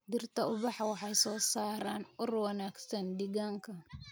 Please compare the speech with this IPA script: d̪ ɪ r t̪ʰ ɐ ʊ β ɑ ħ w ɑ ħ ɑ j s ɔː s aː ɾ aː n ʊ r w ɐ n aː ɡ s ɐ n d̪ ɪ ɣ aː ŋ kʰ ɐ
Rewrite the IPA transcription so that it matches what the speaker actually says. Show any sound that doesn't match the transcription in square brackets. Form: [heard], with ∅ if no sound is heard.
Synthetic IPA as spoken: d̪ ɪ r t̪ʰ ɐ ʊ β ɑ ħ w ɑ ħ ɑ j s ɔː s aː ɾ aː n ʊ r w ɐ n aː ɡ s ɐ n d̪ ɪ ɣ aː ŋ kʰ ɐ